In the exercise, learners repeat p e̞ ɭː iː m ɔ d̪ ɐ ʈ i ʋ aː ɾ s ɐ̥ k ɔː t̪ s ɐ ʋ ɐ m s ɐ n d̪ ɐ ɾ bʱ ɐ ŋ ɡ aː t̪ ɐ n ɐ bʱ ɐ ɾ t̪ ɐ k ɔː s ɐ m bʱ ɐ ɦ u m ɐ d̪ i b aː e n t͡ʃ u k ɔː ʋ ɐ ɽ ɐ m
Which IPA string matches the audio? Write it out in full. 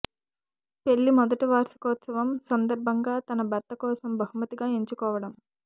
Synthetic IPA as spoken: p e̞ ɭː i m ɔ d̪ ɐ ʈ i ʋ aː ɾ s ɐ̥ k ɔː t̪ s ɐ ʋ ɐ m s ɐ n d̪ ɐ ɾ bʱ ɐ ŋ ɡ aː t̪ ɐ n ɐ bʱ ɐ ɾ t̪ ɐ k ɔː s ɐ m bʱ ɐ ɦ u m ɐ t̪ i ɡ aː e ɲ t͡ʃ u k ɔː ʋ ɐ ɽ ɐ m